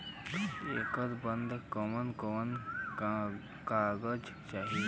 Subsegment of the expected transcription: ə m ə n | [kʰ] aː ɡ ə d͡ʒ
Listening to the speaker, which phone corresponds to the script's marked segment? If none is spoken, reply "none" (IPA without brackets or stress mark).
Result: k